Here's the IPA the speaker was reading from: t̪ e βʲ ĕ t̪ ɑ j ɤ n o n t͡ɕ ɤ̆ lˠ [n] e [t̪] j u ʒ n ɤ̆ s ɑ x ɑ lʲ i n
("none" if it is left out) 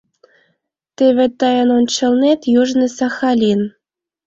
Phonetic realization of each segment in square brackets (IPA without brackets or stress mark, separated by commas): n, t̪